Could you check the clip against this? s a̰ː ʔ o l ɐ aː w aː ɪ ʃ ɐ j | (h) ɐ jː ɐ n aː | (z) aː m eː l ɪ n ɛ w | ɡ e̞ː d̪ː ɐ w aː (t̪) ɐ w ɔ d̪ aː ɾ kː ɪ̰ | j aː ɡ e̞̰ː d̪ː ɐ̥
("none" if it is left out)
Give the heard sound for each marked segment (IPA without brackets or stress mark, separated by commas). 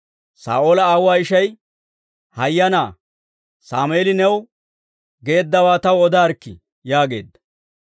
h, s, t̪